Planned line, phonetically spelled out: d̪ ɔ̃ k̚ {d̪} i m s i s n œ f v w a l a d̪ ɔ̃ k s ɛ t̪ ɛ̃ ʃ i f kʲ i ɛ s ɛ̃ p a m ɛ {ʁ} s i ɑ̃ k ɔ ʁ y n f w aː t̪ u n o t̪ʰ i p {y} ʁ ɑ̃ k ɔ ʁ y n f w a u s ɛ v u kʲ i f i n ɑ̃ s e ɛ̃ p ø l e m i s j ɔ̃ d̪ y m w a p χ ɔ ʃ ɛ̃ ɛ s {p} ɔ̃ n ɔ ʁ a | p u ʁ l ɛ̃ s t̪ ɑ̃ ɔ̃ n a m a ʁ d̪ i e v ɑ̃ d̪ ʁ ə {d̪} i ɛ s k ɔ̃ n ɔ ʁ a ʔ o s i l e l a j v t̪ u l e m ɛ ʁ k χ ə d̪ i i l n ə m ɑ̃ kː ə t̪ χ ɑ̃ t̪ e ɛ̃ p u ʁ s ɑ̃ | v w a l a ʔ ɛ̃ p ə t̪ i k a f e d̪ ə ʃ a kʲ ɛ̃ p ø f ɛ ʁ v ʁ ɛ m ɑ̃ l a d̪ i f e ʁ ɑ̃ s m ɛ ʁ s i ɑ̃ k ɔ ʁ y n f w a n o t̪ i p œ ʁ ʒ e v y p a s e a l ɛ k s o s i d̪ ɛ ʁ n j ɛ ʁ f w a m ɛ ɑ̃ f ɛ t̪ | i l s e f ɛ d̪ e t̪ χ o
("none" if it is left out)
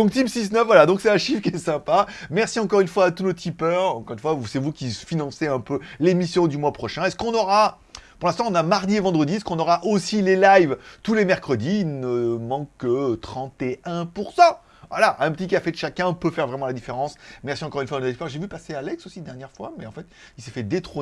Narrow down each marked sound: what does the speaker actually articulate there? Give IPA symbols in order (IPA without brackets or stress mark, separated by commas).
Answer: t̪, ʁ, œ, k, d̪